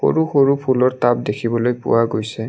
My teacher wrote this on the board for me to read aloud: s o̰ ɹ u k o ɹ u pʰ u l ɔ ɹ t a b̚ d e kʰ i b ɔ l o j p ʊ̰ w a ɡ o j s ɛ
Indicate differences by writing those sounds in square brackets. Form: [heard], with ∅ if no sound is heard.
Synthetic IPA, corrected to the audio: [x] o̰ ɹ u [x] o ɹ u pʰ u l ɔ ɹ t a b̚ d e kʰ i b ɔ l o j p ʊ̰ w a ɡ o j s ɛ